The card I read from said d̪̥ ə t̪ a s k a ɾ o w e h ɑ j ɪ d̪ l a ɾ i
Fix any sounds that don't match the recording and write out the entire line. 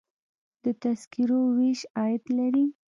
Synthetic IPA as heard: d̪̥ ə t̪ a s k i ɾ o w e ʃ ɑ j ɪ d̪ l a ɾ i